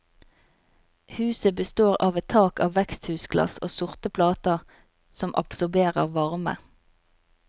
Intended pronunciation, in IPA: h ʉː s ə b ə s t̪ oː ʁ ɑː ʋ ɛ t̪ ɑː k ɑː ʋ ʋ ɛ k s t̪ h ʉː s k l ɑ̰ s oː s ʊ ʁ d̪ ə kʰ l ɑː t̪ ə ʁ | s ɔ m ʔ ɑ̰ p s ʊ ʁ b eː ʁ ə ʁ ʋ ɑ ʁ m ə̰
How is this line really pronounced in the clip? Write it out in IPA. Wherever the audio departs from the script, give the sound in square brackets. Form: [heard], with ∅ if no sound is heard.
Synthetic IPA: h ʉː s ə b ə s t̪ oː ʁ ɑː ʋ ɛ [t̪ʰ] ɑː k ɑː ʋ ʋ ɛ k s t̪ h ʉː s [ɡ] l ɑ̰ s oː s ʊ ʁ [t̪] ə [pʰ] l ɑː t̪ ə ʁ | s ɔ m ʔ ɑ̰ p s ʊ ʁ b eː ʁ ə ʁ ʋ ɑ ʁ m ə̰